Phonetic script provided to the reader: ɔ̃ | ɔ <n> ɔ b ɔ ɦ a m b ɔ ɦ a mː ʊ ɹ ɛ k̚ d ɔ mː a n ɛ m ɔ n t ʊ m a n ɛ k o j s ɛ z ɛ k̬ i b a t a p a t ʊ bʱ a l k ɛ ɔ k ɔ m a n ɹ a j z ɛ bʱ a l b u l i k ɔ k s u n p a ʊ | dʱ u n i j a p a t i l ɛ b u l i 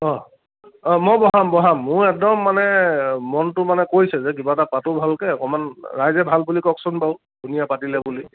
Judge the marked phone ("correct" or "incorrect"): incorrect